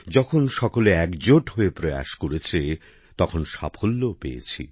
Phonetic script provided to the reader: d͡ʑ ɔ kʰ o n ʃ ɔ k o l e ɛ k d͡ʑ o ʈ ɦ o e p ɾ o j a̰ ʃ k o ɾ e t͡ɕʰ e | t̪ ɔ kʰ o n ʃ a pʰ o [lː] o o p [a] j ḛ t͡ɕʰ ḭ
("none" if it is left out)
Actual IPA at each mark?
lː, e

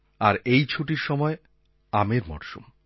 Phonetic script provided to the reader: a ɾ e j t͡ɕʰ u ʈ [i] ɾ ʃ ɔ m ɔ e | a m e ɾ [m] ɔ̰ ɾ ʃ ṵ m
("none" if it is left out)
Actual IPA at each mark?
i, m

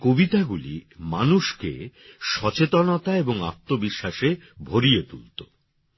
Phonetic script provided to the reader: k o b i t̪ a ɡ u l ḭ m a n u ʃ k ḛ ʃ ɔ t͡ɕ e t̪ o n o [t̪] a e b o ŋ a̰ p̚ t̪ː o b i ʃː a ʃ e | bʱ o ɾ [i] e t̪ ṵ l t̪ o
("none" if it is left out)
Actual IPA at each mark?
t̪, i

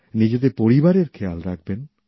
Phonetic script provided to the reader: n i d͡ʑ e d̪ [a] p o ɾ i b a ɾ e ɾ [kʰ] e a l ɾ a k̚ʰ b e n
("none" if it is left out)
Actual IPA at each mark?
e, kʰ

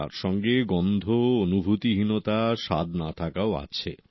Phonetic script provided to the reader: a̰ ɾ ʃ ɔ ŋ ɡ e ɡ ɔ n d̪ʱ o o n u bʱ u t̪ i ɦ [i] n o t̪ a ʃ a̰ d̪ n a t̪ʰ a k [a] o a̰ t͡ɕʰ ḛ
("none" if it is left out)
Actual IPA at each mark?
i, a

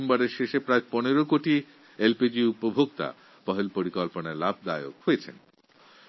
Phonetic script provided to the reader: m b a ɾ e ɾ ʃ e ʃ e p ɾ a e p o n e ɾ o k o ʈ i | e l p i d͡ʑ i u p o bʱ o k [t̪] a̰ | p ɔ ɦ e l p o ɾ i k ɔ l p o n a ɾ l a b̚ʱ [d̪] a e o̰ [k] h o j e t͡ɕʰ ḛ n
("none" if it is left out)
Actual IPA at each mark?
t̪, d̪, k

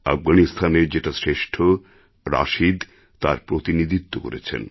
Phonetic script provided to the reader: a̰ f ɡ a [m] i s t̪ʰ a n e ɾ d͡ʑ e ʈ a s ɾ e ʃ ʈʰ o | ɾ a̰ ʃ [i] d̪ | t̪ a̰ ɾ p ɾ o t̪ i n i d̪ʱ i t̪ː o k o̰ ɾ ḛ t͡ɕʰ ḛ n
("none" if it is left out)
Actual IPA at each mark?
n, i

